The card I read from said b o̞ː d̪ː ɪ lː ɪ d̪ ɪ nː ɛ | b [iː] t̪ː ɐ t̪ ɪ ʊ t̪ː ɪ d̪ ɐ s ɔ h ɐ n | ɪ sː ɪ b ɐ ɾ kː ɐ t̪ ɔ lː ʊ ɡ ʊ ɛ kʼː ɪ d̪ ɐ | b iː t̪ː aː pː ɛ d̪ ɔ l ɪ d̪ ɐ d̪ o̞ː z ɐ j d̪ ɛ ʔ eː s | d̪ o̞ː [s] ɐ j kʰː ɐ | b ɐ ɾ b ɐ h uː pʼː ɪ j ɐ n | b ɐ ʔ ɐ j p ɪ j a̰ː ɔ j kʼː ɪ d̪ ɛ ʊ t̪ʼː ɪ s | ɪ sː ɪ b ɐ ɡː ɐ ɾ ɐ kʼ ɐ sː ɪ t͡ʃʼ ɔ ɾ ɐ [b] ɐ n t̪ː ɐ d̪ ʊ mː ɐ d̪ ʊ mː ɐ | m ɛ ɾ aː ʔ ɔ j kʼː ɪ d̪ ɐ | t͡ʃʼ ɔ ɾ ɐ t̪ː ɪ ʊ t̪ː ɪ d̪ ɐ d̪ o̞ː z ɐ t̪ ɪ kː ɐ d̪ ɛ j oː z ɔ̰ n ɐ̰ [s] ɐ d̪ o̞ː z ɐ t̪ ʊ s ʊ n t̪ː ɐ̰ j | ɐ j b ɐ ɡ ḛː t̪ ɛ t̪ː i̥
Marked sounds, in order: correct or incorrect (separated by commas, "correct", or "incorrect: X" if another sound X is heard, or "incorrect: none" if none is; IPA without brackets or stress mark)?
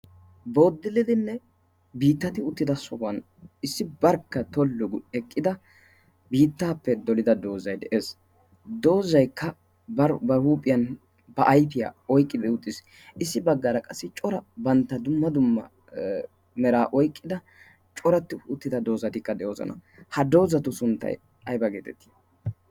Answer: correct, incorrect: z, correct, incorrect: h